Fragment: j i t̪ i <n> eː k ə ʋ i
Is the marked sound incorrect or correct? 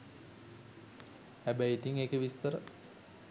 incorrect